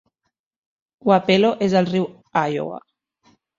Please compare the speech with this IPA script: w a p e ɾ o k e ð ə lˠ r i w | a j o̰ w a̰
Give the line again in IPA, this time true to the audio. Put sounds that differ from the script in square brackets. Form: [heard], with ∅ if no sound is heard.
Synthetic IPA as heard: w a p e [l] o [ʔ] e [z] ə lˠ r i w | a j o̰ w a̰